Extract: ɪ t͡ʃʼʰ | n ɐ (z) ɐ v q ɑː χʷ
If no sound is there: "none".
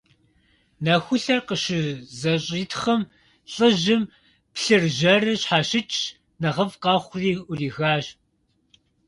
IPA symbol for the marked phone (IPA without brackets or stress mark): ʁ